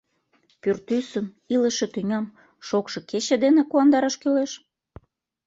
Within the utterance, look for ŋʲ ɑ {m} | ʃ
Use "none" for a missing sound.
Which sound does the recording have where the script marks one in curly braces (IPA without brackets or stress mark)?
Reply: m